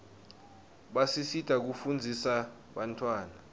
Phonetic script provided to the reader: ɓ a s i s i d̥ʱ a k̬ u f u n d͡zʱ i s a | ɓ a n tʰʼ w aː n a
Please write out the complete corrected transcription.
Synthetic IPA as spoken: ɓ a s i s i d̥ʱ a k̬ u f u n d͡zʱ i s a | ɓ a n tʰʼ w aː n a